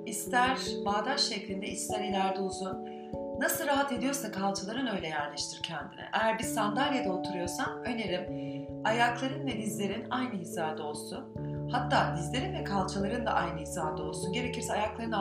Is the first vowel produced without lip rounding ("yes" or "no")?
yes